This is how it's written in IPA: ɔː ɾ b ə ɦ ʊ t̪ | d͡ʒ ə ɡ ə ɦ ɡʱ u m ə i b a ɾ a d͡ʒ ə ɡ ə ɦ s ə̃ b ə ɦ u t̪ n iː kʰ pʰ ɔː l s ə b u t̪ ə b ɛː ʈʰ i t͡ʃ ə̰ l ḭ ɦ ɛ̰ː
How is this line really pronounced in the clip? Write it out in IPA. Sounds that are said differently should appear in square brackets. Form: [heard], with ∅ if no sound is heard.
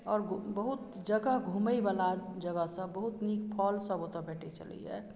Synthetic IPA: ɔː ɾ b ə ɦ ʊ t̪ | d͡ʒ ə ɡ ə ɦ ɡʱ u m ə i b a [l] a d͡ʒ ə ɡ ə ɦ s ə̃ b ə ɦ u t̪ n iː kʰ pʰ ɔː l s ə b [o] t̪ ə b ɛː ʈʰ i t͡ʃ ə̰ l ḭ ɦ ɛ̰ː